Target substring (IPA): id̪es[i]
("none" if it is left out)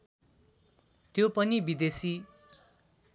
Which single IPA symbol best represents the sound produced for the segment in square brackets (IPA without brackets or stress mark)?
i